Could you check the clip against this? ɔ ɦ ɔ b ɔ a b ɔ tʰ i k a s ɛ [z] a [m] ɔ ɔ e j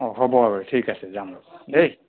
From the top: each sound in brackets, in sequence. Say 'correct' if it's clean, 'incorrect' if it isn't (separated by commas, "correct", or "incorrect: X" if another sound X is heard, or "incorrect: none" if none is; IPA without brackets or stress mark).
correct, correct